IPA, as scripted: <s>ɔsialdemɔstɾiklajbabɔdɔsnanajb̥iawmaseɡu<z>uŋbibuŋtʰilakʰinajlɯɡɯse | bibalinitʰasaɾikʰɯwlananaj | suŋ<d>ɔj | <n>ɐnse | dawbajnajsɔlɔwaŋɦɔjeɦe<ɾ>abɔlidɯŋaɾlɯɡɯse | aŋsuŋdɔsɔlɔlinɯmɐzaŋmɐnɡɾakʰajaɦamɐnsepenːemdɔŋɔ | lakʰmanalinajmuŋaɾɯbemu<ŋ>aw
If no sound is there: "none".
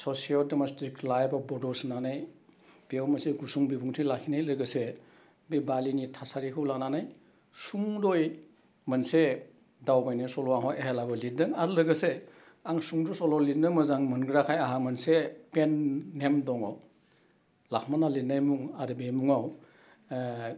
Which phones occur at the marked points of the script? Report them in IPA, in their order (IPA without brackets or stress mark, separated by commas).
s, s, d, m, l, ŋ